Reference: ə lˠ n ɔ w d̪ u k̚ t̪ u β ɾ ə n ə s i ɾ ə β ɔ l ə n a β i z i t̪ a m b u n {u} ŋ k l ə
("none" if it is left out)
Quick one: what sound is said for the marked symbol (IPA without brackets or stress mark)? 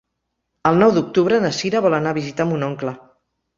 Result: ɔ